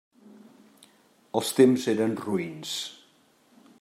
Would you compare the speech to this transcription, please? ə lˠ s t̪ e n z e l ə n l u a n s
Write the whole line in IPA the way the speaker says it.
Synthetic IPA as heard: ə lˠ s t̪ e m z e ɾ ə n r u i n s